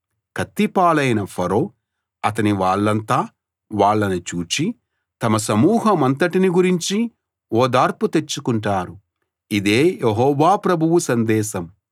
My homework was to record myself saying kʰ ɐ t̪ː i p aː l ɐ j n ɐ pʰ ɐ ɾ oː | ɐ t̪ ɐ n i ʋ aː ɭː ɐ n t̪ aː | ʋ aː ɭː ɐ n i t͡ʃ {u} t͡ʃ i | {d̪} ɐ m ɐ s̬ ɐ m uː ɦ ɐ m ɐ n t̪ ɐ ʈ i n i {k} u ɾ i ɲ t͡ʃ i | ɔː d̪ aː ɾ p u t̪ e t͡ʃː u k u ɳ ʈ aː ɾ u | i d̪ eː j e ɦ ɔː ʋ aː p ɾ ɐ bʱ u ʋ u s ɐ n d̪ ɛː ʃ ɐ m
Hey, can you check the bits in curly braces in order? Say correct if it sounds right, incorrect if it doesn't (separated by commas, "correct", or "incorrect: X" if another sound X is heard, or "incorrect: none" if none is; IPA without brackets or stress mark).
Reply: incorrect: uː, incorrect: t̪, incorrect: ɡ